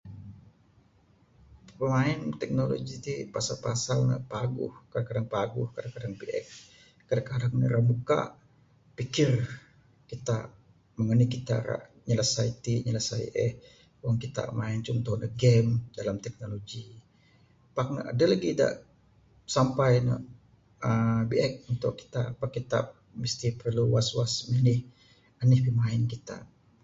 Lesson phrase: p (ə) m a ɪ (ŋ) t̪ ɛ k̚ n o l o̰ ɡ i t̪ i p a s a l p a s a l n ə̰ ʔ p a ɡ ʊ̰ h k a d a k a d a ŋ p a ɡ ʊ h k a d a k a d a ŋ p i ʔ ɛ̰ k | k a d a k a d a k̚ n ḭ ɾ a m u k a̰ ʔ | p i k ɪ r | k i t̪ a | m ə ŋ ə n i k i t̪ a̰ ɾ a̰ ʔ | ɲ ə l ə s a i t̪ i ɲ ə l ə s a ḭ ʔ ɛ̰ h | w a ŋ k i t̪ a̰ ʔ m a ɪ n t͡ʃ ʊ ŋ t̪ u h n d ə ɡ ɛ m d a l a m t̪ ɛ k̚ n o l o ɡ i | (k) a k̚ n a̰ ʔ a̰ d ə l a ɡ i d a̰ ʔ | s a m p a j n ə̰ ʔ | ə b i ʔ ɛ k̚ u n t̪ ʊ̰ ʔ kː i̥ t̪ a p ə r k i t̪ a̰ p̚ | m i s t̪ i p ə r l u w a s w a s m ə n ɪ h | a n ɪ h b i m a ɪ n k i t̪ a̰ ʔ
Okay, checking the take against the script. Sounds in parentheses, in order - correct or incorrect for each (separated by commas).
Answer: correct, incorrect, incorrect